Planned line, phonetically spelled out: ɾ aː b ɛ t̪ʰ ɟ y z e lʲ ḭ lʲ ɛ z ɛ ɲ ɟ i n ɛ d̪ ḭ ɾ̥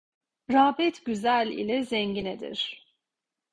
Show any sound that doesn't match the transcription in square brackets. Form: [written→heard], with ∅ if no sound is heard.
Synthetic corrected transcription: ɾ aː b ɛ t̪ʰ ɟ y z [e→æ] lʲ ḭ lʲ ɛ z ɛ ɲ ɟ i n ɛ d̪ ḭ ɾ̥